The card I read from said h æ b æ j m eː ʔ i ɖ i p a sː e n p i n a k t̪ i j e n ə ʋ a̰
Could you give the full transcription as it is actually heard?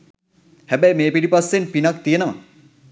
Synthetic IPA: h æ b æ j m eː p i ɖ i p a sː e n p i n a k t̪ i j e n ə ʋ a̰